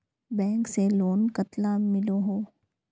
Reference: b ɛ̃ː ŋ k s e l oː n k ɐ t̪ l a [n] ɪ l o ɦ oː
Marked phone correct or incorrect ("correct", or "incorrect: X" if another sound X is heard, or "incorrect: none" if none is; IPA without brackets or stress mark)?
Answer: incorrect: m